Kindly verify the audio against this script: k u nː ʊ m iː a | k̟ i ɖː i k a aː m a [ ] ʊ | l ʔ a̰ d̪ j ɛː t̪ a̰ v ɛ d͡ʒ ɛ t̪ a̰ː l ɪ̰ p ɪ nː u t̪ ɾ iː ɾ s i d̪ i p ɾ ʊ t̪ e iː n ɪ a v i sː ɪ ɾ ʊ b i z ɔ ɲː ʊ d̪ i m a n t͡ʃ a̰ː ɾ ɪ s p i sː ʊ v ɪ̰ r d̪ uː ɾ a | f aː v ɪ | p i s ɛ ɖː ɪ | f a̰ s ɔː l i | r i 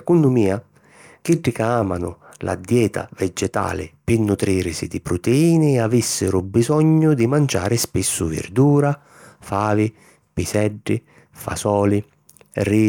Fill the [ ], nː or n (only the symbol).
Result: n